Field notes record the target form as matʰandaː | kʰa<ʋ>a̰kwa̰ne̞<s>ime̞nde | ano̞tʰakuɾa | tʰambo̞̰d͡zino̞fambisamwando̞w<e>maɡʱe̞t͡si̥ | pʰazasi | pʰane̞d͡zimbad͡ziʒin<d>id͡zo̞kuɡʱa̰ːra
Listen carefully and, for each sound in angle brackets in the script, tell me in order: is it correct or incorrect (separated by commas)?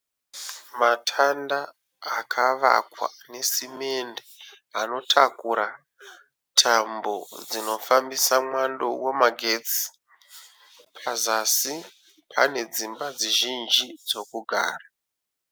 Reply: correct, correct, correct, incorrect